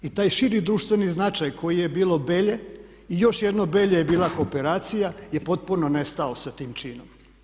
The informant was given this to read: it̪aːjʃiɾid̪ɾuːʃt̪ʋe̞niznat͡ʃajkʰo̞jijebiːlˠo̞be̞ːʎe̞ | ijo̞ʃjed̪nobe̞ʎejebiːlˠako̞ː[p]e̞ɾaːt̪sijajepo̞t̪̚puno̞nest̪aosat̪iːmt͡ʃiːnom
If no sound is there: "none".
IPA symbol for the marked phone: p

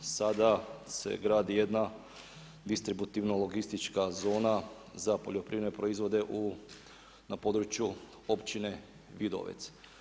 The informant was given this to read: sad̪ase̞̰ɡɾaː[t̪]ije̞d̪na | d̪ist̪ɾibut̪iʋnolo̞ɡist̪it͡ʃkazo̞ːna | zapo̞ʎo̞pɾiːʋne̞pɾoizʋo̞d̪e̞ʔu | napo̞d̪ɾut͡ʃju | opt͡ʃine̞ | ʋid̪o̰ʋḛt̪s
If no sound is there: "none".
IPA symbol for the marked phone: d̪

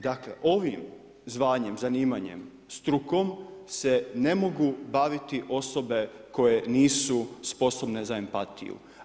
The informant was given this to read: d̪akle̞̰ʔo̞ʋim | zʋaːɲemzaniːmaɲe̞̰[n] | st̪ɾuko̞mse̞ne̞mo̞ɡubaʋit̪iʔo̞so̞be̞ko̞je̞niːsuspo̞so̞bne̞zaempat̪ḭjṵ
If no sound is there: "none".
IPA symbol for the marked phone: m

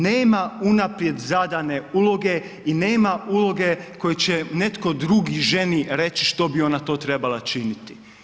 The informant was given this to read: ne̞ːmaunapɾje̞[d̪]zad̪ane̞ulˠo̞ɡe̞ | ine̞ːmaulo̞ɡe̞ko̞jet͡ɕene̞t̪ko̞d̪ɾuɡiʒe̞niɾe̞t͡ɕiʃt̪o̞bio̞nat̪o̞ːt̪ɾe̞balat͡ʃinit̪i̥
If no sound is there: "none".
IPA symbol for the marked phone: d̪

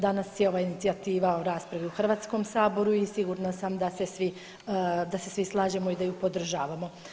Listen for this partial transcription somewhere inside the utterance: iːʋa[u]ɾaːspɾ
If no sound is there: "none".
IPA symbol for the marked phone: o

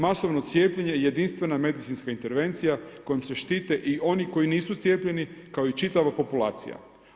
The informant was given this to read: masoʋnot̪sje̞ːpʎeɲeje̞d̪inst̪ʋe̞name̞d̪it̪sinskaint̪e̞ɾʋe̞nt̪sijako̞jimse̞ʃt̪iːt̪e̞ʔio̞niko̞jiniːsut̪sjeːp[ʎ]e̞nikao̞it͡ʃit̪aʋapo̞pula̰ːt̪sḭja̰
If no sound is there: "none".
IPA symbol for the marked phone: ʎ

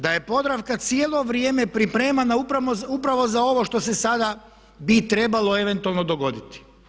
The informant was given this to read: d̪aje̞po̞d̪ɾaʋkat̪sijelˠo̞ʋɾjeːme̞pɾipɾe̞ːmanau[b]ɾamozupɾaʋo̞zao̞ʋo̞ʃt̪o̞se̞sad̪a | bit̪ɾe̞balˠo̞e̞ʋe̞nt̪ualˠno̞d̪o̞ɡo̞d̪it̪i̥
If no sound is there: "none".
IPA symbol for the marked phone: p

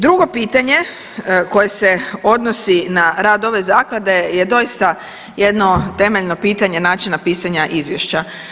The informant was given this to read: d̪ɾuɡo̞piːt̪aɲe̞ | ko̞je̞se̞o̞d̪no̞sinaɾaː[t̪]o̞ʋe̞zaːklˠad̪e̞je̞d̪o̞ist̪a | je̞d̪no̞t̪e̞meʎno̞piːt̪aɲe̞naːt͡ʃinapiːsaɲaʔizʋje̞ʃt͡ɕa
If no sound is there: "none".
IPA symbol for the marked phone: d̪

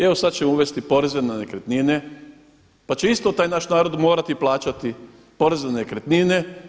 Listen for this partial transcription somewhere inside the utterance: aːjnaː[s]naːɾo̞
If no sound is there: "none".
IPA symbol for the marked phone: ʃ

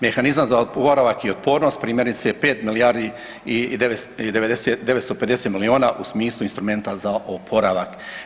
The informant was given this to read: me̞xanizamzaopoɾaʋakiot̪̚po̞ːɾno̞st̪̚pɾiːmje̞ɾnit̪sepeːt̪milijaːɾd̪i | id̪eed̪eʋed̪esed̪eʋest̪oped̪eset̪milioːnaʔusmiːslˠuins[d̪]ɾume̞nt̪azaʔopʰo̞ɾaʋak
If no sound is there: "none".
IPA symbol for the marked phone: t̪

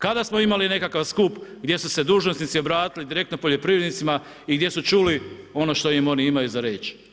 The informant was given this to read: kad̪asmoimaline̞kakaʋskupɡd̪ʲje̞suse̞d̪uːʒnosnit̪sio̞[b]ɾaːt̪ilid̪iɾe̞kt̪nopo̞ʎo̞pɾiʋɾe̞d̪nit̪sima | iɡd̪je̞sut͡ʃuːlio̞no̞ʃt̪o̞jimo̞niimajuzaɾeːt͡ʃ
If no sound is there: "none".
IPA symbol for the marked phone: b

